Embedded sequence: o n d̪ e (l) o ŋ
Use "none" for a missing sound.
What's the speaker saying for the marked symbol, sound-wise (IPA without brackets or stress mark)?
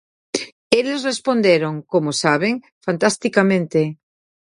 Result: ɾ